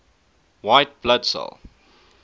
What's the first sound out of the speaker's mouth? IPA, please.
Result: w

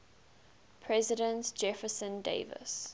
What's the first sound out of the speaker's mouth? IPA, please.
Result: pʰ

